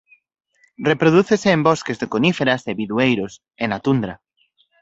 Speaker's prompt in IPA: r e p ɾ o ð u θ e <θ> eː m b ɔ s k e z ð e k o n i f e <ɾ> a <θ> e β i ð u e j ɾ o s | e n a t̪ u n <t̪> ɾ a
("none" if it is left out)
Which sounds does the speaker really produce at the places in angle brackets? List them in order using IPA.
s, ɾ, s, d̪

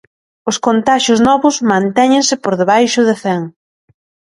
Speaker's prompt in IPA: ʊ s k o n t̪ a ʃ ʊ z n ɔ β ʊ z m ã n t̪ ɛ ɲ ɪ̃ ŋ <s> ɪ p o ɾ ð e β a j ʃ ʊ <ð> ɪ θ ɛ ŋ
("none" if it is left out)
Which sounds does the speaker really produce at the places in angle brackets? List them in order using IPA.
s, ð

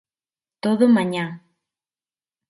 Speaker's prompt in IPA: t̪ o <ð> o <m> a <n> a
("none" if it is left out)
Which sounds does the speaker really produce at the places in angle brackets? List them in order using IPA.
ð, m, ɲ

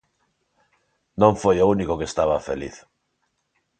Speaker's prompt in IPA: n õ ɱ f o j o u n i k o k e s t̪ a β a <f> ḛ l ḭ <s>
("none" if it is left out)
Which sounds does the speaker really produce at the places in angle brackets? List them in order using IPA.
f, θ

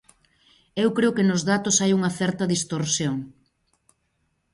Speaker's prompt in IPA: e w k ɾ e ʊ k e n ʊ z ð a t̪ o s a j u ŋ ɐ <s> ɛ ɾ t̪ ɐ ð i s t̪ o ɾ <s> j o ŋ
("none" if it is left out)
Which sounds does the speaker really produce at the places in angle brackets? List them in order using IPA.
θ, s

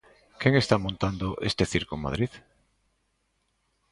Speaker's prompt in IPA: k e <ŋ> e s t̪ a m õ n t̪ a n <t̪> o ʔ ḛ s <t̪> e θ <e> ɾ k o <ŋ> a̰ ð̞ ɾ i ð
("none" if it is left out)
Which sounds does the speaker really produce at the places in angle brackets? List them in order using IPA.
ŋ, d̪, t̪, i, m

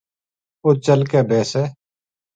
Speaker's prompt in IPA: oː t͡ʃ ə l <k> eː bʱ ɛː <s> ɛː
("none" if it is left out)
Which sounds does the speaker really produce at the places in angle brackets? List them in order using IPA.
k, s

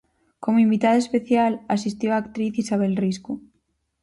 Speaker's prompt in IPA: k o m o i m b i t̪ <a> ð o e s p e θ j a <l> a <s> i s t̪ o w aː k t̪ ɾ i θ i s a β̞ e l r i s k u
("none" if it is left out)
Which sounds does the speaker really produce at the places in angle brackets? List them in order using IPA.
a, l, s

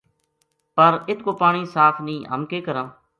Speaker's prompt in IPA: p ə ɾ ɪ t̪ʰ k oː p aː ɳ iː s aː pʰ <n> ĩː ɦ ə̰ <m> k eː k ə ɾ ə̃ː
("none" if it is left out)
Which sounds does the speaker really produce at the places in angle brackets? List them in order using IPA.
n, m

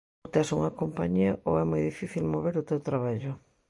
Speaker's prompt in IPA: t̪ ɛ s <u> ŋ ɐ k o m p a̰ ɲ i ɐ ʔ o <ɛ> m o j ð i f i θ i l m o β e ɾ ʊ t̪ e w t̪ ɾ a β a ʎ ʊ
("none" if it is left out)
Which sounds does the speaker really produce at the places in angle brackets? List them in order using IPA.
u, ɛ

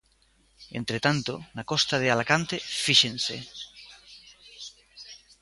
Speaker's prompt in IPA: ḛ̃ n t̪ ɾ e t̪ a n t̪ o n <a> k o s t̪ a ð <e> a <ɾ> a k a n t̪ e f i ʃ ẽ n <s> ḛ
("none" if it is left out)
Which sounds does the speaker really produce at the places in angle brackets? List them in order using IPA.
a, e, l, s

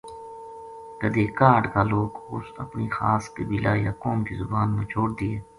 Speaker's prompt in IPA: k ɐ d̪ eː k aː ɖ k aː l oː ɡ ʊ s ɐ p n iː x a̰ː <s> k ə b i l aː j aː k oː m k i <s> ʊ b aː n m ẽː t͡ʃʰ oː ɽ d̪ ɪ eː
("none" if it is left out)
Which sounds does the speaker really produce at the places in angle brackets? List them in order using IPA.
s, z

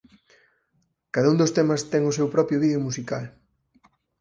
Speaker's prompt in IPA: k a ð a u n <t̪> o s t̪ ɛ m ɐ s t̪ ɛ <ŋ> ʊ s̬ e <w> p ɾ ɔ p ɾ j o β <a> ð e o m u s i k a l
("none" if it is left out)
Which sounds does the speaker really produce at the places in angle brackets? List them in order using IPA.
d̪, ŋ, w, i

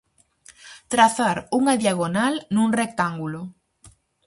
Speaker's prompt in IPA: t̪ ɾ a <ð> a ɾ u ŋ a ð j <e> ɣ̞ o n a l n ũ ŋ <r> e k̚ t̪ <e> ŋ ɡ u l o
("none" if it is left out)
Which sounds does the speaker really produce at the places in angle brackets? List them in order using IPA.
θ, a, r, a

